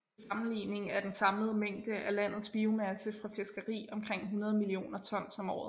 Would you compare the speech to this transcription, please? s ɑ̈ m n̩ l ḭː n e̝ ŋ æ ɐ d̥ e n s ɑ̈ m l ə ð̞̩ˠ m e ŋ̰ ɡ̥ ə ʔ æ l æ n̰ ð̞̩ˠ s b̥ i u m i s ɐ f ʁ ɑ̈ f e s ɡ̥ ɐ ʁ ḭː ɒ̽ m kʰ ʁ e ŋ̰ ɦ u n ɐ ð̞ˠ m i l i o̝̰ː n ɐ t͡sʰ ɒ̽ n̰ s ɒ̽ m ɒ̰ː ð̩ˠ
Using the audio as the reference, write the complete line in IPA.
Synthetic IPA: s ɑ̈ m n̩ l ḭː n e̝ ŋ æ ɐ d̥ e n s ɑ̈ m l ə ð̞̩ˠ m e ŋ̰ d̥ ə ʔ æ l æ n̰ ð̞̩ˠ s b̥ i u m æ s ə f ʁ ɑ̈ f e s ɡ̥ ɐ ʁ ḭː ɒ̽ m kʰ ʁ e ŋ̰ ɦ u n ɐ ð̞ˠ m i l i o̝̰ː n ɐ t͡sʰ ɒ̽ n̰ s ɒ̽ m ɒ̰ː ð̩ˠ